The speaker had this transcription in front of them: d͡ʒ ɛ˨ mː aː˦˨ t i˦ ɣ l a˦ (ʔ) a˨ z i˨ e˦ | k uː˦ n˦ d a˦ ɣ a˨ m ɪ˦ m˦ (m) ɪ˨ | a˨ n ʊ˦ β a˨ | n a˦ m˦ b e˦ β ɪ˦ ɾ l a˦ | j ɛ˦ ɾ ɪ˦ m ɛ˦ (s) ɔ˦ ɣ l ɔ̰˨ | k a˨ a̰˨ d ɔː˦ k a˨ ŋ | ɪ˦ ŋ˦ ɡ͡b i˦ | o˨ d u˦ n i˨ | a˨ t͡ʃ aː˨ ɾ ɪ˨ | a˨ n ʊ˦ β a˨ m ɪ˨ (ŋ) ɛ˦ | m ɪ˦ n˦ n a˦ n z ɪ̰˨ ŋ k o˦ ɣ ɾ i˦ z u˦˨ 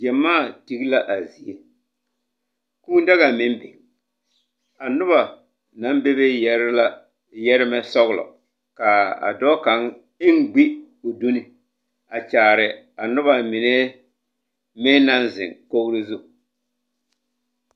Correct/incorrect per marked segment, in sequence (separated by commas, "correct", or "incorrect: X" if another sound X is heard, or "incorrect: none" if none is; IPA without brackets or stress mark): correct, incorrect: b, correct, incorrect: n